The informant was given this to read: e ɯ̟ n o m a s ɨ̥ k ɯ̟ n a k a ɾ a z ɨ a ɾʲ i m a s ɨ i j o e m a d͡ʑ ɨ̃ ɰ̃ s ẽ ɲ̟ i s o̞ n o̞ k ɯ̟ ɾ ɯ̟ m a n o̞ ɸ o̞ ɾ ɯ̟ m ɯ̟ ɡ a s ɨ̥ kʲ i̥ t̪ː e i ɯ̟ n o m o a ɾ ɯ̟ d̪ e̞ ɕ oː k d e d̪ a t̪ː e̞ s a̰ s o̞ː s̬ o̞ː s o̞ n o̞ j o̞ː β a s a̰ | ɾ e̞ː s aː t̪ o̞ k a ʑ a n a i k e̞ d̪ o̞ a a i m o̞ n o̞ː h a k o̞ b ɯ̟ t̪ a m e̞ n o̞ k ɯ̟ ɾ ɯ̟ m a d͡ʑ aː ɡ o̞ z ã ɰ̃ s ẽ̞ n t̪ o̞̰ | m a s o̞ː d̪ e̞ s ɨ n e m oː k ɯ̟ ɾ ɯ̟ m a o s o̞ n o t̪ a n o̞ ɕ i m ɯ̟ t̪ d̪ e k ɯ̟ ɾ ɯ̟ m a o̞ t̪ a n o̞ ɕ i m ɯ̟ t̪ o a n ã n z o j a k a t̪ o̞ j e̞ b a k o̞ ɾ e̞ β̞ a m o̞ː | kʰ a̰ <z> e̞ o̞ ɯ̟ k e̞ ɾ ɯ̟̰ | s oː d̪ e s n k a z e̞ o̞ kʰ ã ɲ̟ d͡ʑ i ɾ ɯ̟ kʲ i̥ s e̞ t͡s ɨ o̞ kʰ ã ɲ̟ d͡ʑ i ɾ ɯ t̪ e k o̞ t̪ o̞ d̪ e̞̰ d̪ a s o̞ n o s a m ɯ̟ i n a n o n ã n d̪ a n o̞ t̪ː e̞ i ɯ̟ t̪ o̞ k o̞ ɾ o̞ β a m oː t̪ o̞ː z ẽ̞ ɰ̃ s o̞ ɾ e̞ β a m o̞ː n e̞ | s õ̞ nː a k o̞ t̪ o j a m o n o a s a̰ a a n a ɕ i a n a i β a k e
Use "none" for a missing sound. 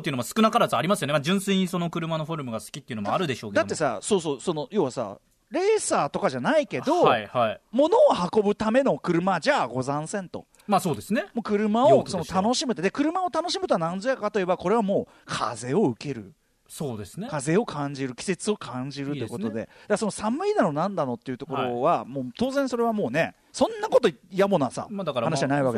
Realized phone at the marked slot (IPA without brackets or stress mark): z